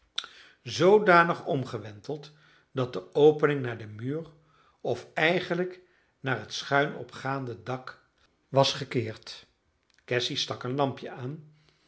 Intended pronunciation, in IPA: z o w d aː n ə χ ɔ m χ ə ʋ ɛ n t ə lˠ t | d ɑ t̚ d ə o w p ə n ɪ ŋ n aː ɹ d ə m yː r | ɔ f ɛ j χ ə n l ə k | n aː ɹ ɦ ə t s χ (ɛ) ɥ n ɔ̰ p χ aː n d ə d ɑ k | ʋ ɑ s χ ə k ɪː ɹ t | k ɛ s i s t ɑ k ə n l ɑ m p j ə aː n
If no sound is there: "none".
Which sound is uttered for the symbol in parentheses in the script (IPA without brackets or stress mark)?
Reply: œ